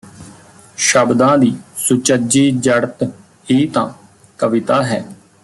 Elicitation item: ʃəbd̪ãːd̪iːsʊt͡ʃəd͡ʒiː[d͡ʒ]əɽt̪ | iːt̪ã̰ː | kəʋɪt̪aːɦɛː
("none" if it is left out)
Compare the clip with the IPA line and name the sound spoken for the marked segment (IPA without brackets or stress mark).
d͡ʒ